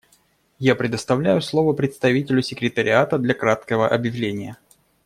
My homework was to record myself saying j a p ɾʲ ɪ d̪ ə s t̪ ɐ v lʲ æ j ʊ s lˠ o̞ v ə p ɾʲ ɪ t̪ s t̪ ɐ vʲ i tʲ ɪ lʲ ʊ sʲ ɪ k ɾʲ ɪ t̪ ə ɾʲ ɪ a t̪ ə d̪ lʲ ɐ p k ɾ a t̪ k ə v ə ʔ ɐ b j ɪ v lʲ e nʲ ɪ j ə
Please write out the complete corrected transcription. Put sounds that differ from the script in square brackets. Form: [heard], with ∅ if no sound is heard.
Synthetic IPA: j a p ɾʲ ɪ d̪ ə s t̪ ɐ v lʲ æ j ʊ s lˠ o̞ v ə p ɾʲ ɪ t̪ s t̪ ɐ vʲ i tʲ ɪ lʲ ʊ sʲ ɪ k ɾʲ ɪ t̪ ə ɾʲ ɪ a t̪ ə d̪ lʲ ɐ [∅] k ɾ a t̪ k ə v ə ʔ ɐ b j ɪ v lʲ e nʲ ɪ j ə